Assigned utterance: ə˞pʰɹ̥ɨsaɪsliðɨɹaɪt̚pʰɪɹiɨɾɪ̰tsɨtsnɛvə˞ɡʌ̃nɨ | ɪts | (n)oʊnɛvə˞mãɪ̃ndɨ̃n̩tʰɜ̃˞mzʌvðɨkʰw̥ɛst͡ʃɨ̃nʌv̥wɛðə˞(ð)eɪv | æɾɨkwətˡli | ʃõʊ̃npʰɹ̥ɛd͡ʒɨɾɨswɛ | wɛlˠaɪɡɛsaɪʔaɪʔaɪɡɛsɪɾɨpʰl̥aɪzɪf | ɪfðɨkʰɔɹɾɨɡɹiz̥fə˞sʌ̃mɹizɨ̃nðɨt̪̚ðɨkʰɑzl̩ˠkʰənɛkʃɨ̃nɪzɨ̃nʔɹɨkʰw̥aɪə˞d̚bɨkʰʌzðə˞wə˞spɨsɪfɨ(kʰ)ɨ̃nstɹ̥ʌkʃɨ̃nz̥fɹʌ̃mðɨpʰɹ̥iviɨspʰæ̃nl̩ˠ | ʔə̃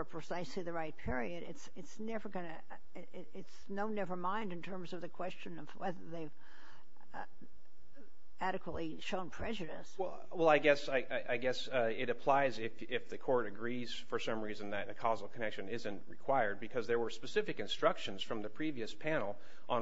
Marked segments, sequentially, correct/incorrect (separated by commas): correct, correct, incorrect